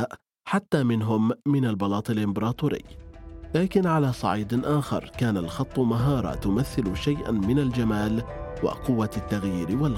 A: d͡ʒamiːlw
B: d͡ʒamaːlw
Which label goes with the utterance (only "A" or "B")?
B